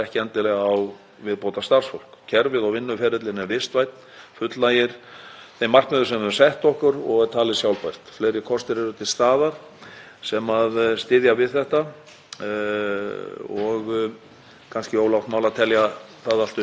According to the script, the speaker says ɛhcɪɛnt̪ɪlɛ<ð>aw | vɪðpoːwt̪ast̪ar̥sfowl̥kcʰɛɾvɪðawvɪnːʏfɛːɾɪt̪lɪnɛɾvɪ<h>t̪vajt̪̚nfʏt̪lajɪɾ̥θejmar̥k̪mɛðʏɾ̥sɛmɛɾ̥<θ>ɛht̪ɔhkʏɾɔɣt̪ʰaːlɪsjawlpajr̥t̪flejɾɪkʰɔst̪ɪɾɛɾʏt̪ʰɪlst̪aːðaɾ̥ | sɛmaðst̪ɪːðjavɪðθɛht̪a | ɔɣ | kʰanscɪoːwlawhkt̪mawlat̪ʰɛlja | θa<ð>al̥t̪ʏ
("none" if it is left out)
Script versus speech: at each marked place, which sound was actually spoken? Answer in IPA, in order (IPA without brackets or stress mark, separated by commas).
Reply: ɣ, s, s, ð